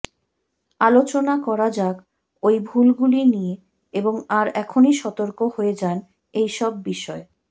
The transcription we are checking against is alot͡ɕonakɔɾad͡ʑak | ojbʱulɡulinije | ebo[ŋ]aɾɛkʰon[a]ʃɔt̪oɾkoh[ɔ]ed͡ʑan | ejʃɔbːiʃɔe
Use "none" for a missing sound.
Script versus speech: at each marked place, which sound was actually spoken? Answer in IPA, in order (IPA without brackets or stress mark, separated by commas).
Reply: ŋ, i, o